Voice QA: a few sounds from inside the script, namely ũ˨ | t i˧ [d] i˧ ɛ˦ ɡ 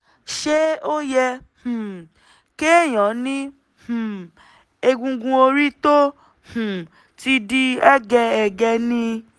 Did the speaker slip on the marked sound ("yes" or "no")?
no